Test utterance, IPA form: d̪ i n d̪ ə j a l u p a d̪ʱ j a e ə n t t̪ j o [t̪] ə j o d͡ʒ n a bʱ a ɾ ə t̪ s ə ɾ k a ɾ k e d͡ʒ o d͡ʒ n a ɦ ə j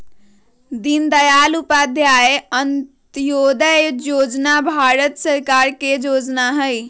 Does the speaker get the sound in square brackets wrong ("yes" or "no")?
yes